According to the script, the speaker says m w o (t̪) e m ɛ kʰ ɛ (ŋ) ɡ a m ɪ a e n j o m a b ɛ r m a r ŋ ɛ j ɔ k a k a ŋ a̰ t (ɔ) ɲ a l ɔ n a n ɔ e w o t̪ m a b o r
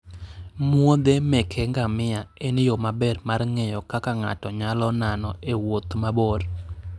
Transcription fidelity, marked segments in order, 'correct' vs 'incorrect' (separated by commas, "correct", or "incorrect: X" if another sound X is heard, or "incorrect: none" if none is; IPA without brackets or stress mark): incorrect: d̪, correct, correct